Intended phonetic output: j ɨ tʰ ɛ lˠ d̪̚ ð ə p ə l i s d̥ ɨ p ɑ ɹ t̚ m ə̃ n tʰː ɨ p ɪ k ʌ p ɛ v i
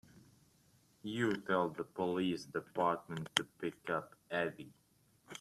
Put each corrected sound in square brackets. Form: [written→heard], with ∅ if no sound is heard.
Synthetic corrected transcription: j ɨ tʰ ɛ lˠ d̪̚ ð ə p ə l i s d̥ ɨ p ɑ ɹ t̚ m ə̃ n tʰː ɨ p ɪ k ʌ p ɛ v i